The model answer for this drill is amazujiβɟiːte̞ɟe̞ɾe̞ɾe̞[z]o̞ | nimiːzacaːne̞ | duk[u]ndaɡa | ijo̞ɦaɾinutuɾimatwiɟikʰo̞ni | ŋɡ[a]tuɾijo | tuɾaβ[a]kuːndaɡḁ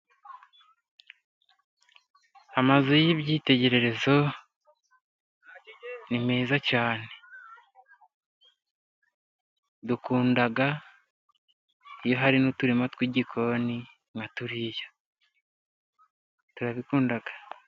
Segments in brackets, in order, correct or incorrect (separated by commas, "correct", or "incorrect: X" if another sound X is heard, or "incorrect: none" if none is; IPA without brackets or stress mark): correct, incorrect: uː, correct, incorrect: i